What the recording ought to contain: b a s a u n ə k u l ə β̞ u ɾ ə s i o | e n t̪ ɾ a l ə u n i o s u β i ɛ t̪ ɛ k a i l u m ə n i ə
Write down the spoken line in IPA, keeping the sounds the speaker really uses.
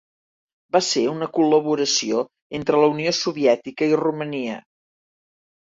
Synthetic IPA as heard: b a s e u n ə k u l ə β̞ u ɾ ə s i o | e n t̪ ɾ ə l ə u n i o s u β i ɛ t̪ i k ə i r u m ə n i ə

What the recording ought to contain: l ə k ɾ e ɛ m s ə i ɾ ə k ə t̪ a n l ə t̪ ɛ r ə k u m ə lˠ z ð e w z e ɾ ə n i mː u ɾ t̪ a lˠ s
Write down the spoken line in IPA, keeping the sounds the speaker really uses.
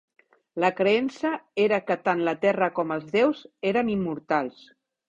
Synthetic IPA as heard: l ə k ɾ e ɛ n s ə e ɾ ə k ə t̪ a n l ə t̪ ɛ r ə k ɔ m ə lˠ z ð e w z e ɾ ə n i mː u ɾ t̪ a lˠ s

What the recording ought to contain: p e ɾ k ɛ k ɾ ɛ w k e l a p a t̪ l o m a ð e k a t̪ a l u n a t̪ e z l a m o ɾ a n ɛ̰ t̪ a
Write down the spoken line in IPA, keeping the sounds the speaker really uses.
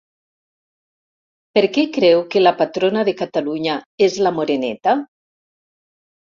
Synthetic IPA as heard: p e ɾ k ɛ k ɾ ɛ w k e l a p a t̪ ɾ o n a ð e k a t̪ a l u ɲ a e z l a m o ɾ e n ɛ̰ t̪ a

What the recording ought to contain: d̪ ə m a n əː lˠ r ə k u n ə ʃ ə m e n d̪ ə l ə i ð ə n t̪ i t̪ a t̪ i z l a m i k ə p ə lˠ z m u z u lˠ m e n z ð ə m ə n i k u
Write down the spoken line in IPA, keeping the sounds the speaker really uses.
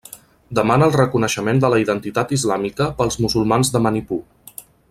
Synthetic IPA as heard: d̪ ə m a n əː lˠ r ə k u n ə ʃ ə m e n d̪ ə l ə i ð ə n t̪ i t̪ a t̪ i z l a m i k ə p ə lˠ z m u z u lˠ m a n z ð ə m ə n i p u

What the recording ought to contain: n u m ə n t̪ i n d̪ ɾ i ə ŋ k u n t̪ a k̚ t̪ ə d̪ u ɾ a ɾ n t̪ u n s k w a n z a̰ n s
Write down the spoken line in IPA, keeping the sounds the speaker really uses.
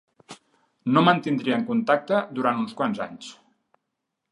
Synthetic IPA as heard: n o m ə n t̪ i n d̪ ɾ i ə ŋ k u n t̪ a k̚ t̪ ə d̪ u ɾ a n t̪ u n s k w a n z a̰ ɲ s

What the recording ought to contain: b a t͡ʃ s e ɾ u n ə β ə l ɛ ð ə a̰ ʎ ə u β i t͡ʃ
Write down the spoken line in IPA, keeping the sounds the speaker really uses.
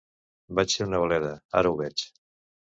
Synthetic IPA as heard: b a t͡ʃ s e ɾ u n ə β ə l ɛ ð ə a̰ ɾ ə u β ɛ t͡ʃ

